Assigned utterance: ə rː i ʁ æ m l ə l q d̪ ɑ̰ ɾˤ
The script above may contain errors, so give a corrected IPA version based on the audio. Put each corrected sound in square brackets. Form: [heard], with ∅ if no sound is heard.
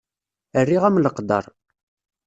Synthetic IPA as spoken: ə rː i ʁ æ m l ə [∅] q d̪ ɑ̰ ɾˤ